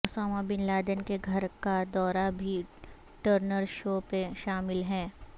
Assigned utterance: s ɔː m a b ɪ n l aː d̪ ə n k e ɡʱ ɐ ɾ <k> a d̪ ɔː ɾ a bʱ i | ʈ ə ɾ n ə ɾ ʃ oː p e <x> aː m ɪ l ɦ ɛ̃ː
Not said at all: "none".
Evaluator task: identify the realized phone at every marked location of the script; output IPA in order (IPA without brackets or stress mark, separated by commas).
k, ʃ